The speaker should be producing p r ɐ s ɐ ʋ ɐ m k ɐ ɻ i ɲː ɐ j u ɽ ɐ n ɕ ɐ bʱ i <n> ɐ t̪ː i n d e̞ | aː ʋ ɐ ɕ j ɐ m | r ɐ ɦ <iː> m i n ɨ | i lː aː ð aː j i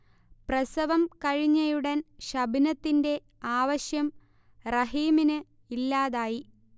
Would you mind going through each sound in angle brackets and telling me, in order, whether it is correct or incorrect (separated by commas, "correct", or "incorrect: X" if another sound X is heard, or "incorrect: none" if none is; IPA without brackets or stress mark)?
correct, correct